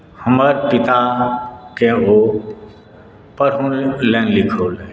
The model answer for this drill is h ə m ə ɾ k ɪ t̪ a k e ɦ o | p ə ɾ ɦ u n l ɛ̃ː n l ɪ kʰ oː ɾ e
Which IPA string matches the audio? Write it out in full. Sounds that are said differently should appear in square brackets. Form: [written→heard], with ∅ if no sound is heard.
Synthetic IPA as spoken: h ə m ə ɾ [k→p] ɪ t̪ a k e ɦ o | p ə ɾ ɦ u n l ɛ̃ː n l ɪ kʰ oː [ɾ→l] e